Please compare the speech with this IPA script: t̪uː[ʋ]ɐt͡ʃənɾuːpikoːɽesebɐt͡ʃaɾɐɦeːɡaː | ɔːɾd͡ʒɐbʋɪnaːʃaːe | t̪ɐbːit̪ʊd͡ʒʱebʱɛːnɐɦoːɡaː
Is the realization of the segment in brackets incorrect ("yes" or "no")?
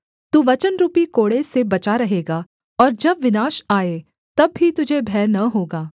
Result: no